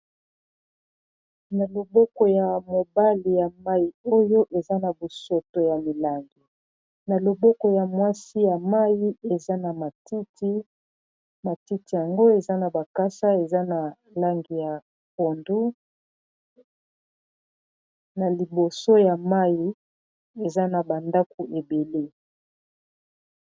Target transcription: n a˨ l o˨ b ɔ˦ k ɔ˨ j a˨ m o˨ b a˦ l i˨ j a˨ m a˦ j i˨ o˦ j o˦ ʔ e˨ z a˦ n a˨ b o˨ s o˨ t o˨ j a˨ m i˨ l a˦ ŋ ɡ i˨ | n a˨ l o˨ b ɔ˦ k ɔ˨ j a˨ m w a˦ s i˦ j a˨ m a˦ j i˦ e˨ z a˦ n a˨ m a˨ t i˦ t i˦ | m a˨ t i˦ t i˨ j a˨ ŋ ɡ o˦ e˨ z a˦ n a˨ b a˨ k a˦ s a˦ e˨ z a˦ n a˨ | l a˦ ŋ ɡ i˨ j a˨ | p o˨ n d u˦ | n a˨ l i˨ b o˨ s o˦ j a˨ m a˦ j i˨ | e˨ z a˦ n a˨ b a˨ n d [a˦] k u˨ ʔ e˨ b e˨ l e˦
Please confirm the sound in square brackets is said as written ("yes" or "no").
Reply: yes